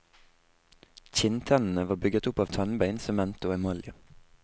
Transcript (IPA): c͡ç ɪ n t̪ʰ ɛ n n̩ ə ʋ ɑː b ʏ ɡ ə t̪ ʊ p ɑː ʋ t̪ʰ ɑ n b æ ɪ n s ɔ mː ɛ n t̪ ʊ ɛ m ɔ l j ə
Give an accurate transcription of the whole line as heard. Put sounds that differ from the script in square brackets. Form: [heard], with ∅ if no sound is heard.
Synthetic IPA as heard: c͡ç ɪ n t̪ʰ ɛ n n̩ ə ʋ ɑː b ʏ ɡ ə t̪ ʊ p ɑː ʋ t̪ʰ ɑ n b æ ɪ n s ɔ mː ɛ n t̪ ʊ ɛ m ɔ l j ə